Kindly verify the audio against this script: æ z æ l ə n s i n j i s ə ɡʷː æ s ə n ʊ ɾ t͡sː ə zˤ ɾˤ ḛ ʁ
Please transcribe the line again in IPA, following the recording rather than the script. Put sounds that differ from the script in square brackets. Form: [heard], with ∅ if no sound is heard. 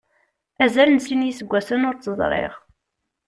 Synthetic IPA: æ z æ l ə n s i n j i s ə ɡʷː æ s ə n ʊ ɾ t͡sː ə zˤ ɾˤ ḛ ʁ